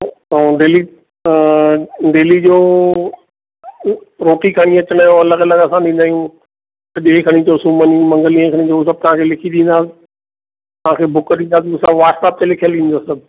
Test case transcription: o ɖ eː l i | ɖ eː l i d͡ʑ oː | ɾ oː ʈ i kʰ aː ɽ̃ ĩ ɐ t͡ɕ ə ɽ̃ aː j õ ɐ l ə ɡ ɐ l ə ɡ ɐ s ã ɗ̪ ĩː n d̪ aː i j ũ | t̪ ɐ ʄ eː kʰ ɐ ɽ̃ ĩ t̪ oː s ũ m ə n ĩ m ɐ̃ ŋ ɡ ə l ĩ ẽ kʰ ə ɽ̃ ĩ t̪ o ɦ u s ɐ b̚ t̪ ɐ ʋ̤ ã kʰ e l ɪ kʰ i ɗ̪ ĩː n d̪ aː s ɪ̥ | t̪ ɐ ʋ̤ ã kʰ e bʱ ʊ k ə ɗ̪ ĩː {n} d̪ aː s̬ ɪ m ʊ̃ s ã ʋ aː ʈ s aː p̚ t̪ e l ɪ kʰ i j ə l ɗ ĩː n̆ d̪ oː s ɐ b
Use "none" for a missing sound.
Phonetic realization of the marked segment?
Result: n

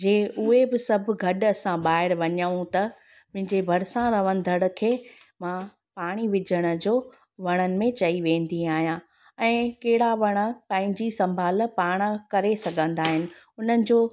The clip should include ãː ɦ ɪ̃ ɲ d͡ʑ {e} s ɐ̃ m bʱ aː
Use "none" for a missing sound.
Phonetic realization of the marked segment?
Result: i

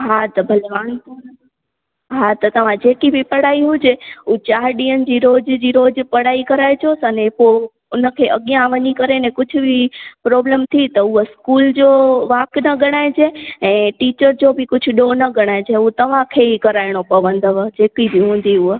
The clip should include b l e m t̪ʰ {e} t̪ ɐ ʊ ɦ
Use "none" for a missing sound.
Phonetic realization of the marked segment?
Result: i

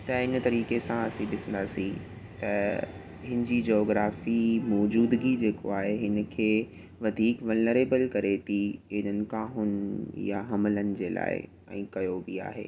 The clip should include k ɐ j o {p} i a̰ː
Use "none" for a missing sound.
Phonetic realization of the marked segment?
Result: b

